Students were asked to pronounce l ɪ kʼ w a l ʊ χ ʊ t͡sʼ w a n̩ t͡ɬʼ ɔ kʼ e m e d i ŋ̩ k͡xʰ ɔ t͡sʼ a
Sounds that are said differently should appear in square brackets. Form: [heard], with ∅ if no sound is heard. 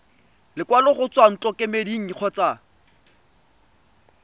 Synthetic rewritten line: l ɪ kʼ w a l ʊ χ ʊ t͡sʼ w a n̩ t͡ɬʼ ɔ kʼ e m e d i ŋ̩ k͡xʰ ɔ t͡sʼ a